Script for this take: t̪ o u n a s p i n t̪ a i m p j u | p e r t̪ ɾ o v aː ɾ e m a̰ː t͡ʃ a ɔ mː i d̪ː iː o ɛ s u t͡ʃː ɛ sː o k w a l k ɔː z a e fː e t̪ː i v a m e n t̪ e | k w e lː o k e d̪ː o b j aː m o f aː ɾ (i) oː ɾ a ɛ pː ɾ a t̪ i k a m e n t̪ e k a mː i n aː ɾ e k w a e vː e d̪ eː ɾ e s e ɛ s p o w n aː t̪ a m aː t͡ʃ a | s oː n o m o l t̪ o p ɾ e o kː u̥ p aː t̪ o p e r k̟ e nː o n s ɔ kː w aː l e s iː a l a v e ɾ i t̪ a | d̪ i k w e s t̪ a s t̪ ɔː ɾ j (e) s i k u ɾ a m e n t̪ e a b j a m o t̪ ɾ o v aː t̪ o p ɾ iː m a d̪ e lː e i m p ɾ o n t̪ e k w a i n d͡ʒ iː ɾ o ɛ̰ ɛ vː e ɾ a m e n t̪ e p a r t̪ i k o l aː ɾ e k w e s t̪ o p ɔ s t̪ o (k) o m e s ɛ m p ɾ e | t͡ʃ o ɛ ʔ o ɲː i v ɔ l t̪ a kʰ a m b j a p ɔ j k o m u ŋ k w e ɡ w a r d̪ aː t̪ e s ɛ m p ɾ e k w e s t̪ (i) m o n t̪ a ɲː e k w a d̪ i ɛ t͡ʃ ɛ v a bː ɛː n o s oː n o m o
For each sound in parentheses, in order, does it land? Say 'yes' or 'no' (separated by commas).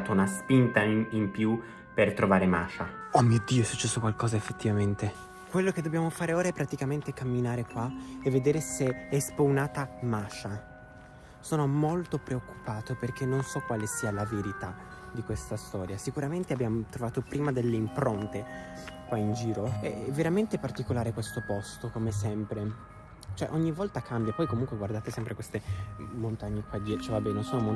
no, no, yes, no